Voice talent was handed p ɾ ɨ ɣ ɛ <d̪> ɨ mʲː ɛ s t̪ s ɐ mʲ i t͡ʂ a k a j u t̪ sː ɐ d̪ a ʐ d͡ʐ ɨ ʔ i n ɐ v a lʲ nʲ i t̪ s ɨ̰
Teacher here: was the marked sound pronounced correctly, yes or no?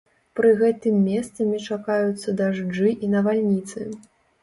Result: no